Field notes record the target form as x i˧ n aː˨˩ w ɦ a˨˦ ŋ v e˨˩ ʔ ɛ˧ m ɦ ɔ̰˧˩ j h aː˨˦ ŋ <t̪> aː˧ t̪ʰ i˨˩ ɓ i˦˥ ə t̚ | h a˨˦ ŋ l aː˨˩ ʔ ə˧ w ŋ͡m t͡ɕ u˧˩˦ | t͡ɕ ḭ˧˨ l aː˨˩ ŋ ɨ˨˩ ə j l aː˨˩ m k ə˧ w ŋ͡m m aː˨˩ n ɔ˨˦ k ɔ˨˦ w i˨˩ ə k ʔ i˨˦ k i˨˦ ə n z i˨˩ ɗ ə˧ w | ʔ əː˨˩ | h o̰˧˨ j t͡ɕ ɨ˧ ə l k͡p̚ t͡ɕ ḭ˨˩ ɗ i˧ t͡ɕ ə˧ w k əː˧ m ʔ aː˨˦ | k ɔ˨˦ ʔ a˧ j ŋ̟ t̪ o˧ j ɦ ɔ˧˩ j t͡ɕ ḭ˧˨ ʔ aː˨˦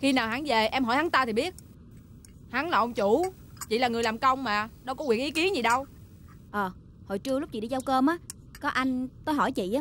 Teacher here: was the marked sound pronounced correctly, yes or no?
yes